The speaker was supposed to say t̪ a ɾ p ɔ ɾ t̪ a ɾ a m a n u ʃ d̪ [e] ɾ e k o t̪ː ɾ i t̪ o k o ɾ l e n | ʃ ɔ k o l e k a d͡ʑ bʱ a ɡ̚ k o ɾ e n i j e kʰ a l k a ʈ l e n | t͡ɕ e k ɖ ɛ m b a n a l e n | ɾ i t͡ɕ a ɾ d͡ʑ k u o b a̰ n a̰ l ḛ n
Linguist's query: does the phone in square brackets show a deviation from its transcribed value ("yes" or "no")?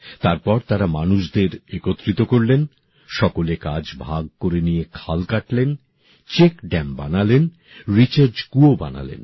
no